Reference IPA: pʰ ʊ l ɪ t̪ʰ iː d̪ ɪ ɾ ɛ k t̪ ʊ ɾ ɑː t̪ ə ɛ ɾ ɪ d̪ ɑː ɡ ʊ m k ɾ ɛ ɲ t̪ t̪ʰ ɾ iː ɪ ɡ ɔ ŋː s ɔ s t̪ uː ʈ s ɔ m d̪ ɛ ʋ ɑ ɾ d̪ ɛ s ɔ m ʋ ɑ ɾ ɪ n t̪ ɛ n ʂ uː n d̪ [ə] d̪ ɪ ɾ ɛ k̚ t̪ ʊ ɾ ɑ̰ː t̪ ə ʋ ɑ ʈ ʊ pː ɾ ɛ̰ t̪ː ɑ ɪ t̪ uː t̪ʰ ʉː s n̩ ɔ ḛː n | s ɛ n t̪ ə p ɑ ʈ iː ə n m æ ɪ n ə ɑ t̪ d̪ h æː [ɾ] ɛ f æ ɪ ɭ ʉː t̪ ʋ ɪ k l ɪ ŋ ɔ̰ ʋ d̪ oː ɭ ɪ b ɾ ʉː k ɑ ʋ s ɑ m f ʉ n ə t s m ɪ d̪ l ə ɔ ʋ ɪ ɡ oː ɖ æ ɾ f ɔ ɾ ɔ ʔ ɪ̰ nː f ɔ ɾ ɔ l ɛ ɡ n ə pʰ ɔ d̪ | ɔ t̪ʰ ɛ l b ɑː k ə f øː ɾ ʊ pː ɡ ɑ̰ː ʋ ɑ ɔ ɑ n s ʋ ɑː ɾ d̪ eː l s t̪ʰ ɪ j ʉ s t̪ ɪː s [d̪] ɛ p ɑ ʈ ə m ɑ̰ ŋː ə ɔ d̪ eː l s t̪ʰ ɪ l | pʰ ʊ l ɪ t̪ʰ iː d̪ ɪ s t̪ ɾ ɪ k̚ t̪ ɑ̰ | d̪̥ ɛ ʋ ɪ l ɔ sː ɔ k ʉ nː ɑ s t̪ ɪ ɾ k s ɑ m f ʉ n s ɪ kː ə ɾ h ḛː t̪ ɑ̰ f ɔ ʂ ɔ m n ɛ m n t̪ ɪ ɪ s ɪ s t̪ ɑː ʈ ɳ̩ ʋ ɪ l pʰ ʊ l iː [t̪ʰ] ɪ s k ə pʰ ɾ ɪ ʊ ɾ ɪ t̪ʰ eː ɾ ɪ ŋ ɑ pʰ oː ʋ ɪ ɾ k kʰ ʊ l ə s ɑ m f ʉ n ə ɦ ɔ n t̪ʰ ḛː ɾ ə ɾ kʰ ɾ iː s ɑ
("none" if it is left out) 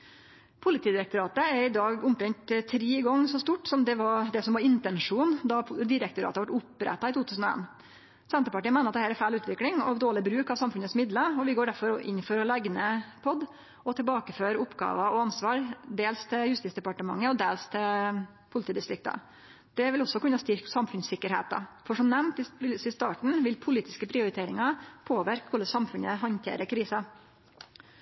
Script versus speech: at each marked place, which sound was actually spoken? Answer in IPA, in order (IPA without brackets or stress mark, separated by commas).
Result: ɑ, ɾ, d̪, t̪